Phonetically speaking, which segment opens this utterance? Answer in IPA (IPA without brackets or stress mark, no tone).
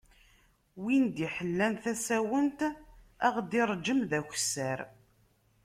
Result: w